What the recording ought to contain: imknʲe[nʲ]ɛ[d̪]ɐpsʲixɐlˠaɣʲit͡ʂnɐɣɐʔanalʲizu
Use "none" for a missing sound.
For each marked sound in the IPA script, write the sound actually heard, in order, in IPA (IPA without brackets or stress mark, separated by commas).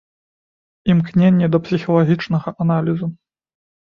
nʲː, d̪